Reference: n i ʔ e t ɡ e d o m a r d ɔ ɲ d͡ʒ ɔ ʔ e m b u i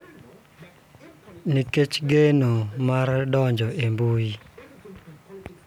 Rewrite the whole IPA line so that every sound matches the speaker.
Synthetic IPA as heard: n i k e t͡ʃ ɡ e n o m a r d ɔ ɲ d͡ʒ ɔ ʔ e m b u i